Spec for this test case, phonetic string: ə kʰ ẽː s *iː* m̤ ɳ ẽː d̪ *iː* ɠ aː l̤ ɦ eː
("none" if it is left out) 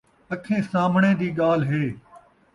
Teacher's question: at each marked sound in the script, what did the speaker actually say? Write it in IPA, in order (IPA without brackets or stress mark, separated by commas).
aː, iː